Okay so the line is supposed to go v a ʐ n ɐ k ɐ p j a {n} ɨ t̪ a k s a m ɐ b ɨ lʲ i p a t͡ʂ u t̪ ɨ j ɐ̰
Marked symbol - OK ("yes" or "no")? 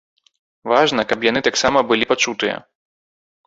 yes